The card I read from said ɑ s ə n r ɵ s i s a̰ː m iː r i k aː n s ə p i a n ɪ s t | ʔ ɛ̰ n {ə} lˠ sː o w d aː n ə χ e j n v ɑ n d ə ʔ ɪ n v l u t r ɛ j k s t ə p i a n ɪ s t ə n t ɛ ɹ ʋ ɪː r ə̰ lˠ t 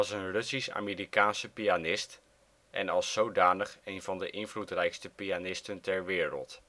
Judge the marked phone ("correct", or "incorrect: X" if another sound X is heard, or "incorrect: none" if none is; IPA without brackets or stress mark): incorrect: ɑ